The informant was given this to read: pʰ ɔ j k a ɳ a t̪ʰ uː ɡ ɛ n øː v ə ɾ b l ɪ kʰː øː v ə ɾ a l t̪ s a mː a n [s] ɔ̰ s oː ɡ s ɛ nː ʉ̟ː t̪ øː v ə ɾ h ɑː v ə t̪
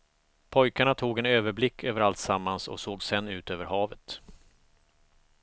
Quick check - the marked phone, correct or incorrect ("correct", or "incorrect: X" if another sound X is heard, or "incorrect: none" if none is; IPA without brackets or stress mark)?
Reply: correct